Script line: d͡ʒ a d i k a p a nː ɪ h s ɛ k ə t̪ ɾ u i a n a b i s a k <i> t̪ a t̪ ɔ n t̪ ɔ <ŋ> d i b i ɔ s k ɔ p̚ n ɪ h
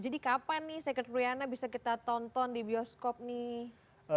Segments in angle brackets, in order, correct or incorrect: correct, incorrect: n

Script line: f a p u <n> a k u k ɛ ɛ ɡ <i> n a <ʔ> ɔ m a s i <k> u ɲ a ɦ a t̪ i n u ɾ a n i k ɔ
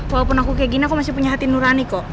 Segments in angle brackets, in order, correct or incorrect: correct, correct, incorrect: k, incorrect: p

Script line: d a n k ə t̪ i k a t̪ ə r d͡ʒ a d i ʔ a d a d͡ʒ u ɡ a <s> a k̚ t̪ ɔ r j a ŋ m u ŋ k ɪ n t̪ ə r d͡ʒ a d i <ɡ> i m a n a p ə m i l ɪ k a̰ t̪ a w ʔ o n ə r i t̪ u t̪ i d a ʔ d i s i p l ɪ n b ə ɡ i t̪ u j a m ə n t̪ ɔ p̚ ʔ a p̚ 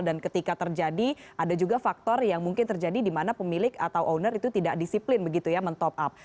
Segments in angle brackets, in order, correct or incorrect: incorrect: f, incorrect: d

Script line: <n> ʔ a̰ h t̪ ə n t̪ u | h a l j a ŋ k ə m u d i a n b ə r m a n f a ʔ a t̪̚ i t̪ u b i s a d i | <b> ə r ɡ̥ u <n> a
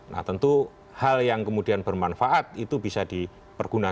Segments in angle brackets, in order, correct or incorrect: correct, incorrect: p, correct

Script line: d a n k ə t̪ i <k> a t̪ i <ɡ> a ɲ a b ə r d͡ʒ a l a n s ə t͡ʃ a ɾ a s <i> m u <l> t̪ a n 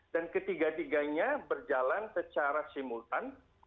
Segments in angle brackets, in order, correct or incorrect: incorrect: ɡ, correct, correct, correct

